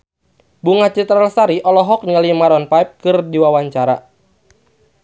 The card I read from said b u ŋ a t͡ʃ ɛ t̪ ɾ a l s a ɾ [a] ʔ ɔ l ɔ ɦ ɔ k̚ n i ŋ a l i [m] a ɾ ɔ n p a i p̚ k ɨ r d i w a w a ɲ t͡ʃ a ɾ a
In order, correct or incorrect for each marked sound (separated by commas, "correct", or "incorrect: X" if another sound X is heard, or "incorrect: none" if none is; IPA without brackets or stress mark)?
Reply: incorrect: i, correct